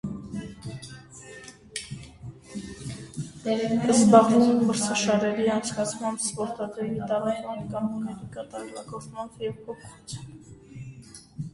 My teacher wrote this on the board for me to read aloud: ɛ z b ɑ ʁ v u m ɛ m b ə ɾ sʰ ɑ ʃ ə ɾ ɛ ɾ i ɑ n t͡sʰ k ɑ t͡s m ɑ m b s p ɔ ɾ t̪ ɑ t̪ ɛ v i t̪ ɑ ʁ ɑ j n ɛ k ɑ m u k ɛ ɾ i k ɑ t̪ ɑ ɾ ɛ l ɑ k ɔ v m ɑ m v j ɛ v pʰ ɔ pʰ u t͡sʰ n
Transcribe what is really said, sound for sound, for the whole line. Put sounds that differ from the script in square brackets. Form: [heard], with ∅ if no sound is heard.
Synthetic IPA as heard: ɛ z b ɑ ʁ v u m ɛ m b ə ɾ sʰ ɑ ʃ [ɑ] ɾ ɛ ɾ i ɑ n t͡sʰ k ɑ [t͡sʰ] m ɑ m b s p ɔ ɾ t̪ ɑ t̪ ɛ v i t̪ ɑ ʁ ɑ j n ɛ k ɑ m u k ɛ ɾ i k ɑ t̪ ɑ ɾ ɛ l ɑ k ɔ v m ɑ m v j ɛ v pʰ ɔ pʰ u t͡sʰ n